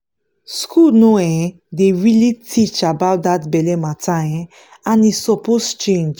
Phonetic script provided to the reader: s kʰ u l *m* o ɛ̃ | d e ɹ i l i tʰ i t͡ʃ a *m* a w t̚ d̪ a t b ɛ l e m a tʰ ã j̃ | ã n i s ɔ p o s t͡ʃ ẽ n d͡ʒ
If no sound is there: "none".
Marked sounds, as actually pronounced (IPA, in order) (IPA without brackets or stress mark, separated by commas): n, b